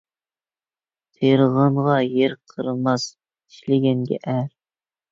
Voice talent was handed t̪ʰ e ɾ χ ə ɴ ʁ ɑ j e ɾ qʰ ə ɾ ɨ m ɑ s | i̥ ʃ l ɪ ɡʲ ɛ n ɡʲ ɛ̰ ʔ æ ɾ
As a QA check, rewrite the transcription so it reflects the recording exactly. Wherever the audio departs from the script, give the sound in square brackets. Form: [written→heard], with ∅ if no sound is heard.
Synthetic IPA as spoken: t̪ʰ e ɾ [χ→ʁ] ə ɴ ʁ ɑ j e ɾ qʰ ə ɾ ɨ m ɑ s | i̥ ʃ l ɪ ɡʲ ɛ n ɡʲ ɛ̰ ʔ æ ɾ